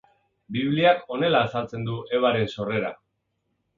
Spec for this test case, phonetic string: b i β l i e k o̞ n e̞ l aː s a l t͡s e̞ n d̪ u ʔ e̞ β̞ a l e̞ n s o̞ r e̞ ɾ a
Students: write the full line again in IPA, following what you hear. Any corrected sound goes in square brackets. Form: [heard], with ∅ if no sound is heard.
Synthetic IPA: b i β l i [a] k o̞ n e̞ l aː s a l t͡s e̞ n d̪ u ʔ e̞ β̞ a [ɾ] e̞ n s o̞ r e̞ ɾ a